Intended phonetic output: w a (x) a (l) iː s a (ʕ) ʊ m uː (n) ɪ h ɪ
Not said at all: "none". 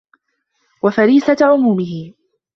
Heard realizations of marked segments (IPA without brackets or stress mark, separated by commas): f, ɾ, ʕ, m